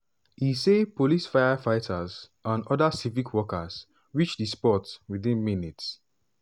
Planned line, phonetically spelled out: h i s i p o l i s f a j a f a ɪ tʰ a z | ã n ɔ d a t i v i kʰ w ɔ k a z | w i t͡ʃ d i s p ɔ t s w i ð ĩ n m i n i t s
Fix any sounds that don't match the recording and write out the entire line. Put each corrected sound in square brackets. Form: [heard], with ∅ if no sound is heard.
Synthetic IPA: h i s [e] p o l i s f a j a f a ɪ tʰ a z | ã n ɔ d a [s] i v i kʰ w ɔ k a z | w i t͡ʃ d i s p ɔ t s w i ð ĩ n m i n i t s